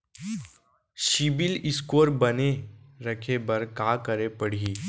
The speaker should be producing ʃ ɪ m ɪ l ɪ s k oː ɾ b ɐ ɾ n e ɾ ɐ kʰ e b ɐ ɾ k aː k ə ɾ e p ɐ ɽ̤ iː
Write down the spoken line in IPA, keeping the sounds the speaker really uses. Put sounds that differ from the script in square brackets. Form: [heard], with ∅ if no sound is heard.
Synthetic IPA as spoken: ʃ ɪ [b] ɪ l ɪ s k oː ɾ b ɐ [∅] n e ɾ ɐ kʰ e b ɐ ɾ k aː k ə ɾ e p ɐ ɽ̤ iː